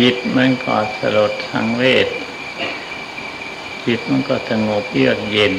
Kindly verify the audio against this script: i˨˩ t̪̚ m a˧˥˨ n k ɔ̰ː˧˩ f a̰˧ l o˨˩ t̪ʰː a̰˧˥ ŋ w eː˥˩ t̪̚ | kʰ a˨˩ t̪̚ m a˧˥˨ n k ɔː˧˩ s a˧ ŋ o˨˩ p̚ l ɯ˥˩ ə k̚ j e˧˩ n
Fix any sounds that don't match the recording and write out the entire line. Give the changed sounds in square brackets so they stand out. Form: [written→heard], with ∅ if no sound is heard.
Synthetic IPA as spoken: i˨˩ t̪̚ m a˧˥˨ n k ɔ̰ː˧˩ [f→s] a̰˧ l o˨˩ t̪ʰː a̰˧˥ ŋ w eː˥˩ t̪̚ | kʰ [a˨˩→i˨˩] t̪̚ m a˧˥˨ n k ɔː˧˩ s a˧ ŋ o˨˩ p̚ l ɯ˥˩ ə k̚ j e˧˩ n